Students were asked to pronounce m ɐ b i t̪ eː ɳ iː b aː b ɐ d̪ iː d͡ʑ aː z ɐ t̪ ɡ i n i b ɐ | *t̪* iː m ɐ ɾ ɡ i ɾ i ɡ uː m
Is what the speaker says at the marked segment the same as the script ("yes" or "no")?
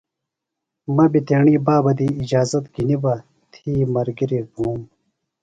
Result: no